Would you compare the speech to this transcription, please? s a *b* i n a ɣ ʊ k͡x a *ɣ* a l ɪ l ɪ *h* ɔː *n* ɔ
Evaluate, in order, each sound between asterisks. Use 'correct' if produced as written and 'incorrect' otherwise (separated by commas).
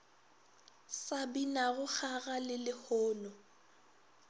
correct, correct, correct, correct